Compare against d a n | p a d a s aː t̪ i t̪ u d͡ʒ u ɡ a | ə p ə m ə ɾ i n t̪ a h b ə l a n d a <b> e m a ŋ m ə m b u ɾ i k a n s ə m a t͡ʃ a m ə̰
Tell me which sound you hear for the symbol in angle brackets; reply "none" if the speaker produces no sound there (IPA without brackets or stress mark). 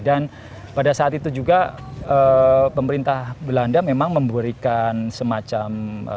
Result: m